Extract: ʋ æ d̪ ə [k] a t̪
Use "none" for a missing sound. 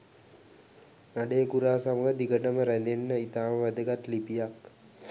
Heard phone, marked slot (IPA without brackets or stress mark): ɡ